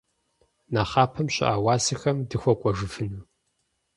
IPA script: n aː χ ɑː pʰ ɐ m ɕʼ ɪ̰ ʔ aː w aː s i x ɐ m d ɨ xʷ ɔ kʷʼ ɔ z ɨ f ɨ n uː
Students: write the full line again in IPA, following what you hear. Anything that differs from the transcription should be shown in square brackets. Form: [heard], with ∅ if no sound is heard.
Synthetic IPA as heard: n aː χ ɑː pʰ ɐ m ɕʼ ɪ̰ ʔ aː w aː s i x ɐ m d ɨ xʷ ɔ kʷʼ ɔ [ʒ] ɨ f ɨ n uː